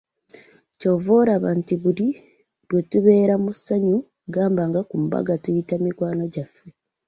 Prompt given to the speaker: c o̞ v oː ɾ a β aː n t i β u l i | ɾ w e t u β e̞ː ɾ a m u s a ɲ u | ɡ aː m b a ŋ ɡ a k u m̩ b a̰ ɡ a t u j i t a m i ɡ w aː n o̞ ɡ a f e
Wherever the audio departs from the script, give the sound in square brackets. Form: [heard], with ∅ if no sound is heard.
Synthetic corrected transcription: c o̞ v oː ɾ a β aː n t i β u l i | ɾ w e t u β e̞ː ɾ a m u s a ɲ u | ɡ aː m b a ŋ ɡ a k u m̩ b a̰ ɡ a t u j i t a m i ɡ w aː n o̞ [ɟ] a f e